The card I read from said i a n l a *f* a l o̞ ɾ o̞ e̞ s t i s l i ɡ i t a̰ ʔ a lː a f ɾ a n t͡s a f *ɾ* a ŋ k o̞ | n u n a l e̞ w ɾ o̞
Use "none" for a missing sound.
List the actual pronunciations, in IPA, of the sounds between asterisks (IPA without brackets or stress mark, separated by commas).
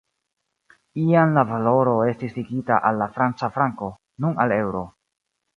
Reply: v, ɾ